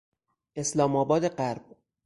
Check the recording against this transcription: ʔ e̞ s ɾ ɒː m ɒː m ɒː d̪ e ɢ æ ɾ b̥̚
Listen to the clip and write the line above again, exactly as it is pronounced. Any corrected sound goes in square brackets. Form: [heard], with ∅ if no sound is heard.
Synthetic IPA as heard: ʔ e̞ s [l] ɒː m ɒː [b] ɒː d̪ e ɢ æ ɾ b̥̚